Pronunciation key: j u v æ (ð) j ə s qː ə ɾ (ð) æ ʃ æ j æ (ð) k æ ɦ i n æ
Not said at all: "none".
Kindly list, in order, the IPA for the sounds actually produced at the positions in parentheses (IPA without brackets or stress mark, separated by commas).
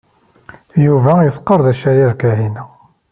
none, ð, ð